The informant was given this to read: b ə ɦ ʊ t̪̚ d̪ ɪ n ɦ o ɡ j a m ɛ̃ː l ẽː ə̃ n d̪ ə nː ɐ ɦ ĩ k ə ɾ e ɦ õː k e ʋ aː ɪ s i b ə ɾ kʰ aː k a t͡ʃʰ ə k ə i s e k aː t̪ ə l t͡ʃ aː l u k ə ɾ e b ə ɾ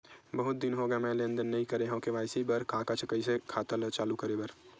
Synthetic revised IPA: b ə ɦ ʊ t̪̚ d̪ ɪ n ɦ o ɡ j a m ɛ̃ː l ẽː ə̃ n d̪ ə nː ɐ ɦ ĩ k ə ɾ e ɦ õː k e ʋ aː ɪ s i b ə ɾ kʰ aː k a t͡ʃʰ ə k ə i s e kʰ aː t̪ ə l t͡ʃ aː l u k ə ɾ e b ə ɾ